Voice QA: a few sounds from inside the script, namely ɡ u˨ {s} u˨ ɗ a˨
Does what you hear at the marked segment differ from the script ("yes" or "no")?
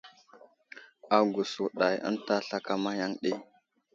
no